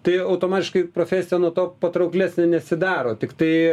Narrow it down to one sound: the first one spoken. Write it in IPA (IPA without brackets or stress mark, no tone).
t̪